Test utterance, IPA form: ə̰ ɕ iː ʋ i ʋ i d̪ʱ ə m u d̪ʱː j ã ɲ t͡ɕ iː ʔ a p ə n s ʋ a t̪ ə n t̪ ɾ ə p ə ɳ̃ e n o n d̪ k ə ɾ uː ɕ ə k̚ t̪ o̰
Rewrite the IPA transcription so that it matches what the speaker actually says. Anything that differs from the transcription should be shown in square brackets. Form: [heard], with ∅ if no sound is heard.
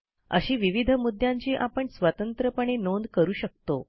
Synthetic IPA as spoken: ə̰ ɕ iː ʋ i ʋ i d̪ʱ ə m u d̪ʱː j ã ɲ t͡ɕ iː ʔ a p ə [ɳ] s ʋ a t̪ ə n t̪ ɾ ə p ə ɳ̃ e n o n d̪ k ə ɾ uː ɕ ə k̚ t̪ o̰